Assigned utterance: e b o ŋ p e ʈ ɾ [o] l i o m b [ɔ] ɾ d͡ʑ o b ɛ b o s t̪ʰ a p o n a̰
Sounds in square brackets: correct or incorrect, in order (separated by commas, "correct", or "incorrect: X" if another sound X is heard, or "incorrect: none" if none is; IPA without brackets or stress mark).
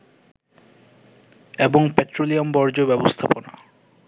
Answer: correct, correct